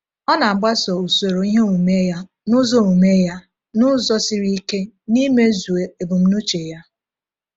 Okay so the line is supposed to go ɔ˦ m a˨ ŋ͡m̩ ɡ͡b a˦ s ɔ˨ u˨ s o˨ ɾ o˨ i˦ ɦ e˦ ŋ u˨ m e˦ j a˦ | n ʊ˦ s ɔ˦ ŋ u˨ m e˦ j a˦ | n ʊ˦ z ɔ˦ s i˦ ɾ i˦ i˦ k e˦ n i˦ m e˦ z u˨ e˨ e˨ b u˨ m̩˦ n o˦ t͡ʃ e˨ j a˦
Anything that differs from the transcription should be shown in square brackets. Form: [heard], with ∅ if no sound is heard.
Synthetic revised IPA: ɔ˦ [n] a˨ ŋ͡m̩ ɡ͡b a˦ s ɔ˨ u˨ s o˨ ɾ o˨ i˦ ɦ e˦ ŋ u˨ m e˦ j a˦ | n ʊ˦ [z] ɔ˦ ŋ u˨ m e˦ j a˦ | n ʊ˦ z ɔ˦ s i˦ ɾ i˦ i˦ k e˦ n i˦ m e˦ z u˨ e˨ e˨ b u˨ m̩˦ n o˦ t͡ʃ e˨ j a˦